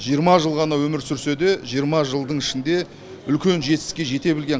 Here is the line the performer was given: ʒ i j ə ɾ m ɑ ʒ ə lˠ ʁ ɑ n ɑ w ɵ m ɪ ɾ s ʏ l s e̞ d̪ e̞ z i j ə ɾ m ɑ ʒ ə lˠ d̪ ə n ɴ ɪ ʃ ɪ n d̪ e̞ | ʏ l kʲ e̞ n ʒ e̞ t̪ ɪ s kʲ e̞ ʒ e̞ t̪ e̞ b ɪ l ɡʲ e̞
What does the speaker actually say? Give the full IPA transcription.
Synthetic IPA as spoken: ʒ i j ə ɾ m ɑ ʒ ə lˠ ʁ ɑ n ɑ w ɵ m ɪ ɾ s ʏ ɾ s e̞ d̪ e̞ ʒ i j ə ɾ m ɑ ʒ ə lˠ d̪ ə ɴ ɪ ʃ ɪ n d̪ e̞ | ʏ l kʲ e̞ n ʒ e̞ t̪ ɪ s kʲ e̞ ʒ e̞ t̪ e̞ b ɪ l ɡʲ e̞

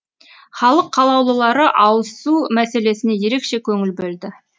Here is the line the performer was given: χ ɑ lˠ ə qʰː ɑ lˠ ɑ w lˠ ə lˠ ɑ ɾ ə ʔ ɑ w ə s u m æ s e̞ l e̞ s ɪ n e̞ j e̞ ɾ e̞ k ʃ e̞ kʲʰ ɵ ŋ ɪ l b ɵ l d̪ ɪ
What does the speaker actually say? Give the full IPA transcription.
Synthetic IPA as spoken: χ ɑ lˠ ə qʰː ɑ lˠ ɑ w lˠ ə lˠ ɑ ɾ ə ʔ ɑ w ə s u m æ s e̞ l e̞ s ɪ n e̞ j e̞ ɾ e̞ k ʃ e̞ kʲʰ ɵ ŋ ɪ l b ɵ l d̪ ɪ

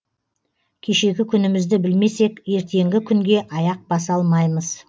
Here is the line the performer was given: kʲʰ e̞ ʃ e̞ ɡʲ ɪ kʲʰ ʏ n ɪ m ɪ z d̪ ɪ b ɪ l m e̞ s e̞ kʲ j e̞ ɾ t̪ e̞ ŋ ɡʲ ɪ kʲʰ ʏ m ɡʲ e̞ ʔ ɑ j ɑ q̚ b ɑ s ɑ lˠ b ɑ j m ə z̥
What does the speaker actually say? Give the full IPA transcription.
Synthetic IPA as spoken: kʲʰ e̞ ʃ e̞ ɡʲ ɪ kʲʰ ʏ n ɪ m ɪ z d̪ ɪ b ɪ l m e̞ s e̞ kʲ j e̞ ɾ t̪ e̞ ŋ ɡʲ ɪ kʲʰ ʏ ŋ ɡʲ e̞ ʔ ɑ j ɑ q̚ b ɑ s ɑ lˠ m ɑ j m ə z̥

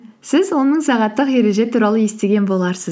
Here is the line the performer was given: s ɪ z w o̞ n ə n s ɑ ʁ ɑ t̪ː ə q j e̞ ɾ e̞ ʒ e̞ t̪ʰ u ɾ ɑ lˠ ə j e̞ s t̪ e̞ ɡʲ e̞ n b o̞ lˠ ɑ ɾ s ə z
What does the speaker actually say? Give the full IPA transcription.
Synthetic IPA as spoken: s ɪ z w o̞ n ə ɴ s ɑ ʁ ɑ t̪ː ə q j e̞ ɾ e̞ ʒ e̞ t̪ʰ u ɾ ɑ lˠ ə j e̞ s t̪ e̞ ɡʲ e̞ n b o̞ lˠ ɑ ɾ s ə z

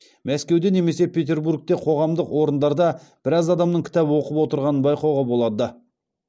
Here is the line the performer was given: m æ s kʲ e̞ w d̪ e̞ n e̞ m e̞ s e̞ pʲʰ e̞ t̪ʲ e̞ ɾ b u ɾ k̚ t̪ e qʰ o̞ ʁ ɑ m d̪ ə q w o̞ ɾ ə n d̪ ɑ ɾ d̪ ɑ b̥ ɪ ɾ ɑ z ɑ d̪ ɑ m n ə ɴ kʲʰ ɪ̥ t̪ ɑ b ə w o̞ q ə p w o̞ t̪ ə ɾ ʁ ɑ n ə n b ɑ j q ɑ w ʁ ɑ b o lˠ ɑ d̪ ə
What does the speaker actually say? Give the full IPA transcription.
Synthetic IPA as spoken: m æ s kʲ e̞ w d̪ e̞ n e̞ m e̞ s e̞ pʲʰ e̞ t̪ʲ e̞ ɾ b u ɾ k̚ t̪ e qʰ o̞ ʁ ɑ m d̪ ə q w o̞ ɾ ə n d̪ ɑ ɾ d̪ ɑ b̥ ɪ ɾ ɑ z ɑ d̪ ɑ m n ə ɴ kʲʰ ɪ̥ t̪ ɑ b ə w o̞ q ə p w o̞ t̪ ə ɾ ʁ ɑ n ə n b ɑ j q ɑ w ʁ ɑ b o lˠ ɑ d̪ ə

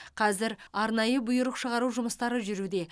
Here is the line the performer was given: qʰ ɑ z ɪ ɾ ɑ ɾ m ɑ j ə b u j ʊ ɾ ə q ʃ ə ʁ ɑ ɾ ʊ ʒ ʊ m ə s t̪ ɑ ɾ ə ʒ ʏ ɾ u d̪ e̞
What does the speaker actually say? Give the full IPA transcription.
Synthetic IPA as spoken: qʰ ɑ z ɪ ɾ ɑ ɾ n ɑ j ə b ʊ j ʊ ɾ ə q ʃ ə ʁ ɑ ɾ u ʒ ʊ m ə s t̪ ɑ ɾ ə ʒ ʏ ɾ u d̪ e̞

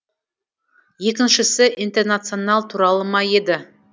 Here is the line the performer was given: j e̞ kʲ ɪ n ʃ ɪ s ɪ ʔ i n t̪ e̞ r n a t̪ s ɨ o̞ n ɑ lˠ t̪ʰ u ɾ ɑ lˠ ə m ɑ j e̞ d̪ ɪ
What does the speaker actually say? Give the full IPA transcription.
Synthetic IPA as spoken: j e̞ kʲ ɪ n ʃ ɪ s ɪ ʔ i n t̪ e̞ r n a t̪ s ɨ o̞ n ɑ lˠ t̪ʰ u ɾ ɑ lˠ ə m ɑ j e̞ d̪ ɪ

